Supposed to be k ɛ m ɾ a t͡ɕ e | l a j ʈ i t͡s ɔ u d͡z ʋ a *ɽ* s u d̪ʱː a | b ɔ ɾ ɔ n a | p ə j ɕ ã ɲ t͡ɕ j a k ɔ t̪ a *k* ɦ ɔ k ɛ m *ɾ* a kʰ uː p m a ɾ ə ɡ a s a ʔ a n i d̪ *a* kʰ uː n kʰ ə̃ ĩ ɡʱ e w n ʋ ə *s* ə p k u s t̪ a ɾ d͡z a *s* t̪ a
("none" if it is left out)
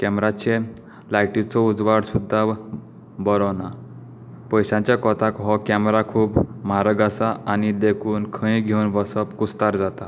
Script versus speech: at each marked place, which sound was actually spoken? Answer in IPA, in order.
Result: ɽ, k, ɾ, e, s, none

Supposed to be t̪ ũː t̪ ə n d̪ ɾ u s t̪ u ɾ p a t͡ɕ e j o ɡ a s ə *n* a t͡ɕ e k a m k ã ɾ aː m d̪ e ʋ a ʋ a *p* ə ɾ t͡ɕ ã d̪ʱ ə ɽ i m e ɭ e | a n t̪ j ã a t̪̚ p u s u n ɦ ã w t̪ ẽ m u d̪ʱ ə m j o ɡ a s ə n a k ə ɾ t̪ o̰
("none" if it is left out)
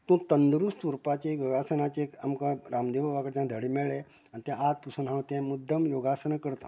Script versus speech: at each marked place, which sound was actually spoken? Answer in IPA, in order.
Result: n, k

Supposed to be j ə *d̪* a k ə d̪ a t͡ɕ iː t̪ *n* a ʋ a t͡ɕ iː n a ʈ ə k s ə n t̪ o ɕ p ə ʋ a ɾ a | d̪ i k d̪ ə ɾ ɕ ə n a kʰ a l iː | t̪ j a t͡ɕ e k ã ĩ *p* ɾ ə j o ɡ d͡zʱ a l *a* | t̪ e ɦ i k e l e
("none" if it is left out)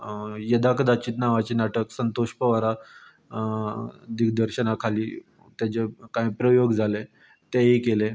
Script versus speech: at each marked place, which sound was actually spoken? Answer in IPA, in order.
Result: d̪, n, p, e

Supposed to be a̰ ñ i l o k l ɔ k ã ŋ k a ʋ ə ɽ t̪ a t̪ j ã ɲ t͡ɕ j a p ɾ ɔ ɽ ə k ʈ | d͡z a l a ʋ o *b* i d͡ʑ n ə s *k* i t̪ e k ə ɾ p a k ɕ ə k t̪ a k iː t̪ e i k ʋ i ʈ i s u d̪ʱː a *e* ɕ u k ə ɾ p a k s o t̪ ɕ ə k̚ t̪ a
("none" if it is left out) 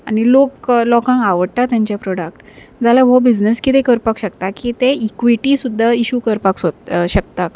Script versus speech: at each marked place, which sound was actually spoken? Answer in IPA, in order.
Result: b, k, i

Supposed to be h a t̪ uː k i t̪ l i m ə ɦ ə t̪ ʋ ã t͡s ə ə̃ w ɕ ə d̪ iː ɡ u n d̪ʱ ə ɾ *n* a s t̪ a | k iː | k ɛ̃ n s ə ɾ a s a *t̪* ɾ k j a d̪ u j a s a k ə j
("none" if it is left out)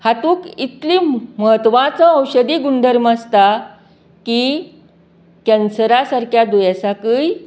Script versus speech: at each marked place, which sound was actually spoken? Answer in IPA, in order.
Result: m, none

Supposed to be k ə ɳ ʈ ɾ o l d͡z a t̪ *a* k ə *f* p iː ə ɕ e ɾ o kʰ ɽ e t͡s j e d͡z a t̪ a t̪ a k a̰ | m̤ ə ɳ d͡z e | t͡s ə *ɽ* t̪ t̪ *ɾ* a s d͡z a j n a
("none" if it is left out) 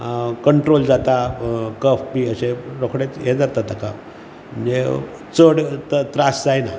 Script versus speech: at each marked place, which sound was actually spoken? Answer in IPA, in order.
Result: a, f, ɽ, ɾ

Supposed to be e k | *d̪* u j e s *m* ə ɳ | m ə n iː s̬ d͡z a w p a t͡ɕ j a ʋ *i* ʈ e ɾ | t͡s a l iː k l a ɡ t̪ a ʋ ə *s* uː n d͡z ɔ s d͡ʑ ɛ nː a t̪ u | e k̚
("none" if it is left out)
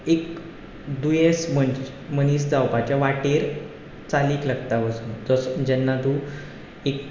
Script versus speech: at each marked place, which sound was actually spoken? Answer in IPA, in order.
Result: d̪, m, a, s

